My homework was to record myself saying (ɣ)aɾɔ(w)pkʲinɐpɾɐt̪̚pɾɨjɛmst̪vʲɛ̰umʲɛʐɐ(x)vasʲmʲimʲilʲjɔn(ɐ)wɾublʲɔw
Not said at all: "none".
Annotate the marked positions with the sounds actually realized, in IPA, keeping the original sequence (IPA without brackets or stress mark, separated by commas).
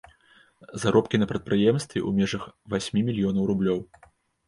z, none, x, ɐ